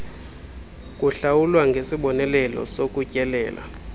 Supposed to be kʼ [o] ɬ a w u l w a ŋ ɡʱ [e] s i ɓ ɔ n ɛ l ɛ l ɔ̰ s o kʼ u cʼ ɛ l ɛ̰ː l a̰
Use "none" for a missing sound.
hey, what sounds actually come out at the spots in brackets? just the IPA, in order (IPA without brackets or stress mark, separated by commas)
u, e